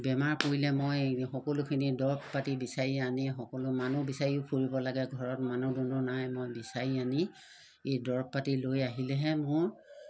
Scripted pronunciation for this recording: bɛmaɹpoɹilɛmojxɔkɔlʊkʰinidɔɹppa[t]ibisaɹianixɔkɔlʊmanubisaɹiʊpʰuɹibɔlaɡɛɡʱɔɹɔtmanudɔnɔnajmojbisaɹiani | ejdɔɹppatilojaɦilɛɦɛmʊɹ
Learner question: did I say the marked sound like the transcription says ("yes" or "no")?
yes